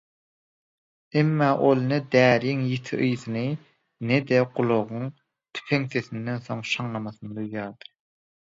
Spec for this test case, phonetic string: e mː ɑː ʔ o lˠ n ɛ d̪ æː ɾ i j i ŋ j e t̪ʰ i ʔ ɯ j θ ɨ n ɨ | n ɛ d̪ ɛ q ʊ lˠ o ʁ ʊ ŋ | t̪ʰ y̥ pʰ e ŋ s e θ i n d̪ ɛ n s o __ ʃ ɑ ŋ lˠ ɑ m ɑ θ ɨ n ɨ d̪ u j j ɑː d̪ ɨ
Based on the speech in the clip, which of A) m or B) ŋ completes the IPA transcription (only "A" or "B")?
B